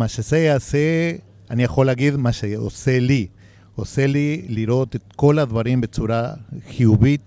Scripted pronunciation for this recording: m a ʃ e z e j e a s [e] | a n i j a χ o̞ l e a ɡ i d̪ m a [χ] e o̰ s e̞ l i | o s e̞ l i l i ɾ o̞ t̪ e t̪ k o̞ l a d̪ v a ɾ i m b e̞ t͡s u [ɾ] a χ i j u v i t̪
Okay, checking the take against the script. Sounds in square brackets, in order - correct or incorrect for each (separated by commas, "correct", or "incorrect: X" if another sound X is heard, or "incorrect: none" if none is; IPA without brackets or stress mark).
correct, incorrect: ʃ, correct